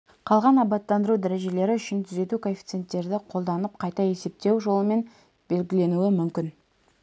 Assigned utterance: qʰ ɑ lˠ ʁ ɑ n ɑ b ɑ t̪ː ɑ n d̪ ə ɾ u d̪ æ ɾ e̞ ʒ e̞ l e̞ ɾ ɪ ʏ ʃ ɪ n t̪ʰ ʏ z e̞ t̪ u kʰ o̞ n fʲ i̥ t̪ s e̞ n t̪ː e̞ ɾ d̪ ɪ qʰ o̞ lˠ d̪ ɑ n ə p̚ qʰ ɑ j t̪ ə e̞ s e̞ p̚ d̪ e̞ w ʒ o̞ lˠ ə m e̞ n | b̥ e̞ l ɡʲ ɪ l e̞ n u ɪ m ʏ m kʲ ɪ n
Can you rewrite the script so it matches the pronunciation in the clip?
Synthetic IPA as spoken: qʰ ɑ lˠ ʁ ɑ n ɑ b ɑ t̪ː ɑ n d̪ ə ɾ u d̪ æ ɾ e̞ ʒ e̞ l e̞ ɾ ɪ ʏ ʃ ɪ n t̪ʰ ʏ z e̞ t̪ u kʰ o̞ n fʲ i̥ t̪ s e̞ n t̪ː e̞ ɾ d̪ ɪ qʰ o̞ lˠ d̪ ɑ n ə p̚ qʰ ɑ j t̪ ɑ e̞ s e̞ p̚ t̪ e̞ w ʒ o̞ lˠ ə m e̞ n | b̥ e̞ l ɡʲ ɪ l e̞ n u ɪ m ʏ m kʲ ɪ n